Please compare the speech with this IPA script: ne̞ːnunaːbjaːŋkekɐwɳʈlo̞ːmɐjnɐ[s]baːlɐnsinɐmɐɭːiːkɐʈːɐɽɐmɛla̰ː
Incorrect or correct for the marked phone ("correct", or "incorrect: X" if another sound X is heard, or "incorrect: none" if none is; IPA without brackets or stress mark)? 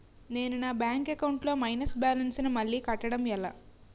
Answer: correct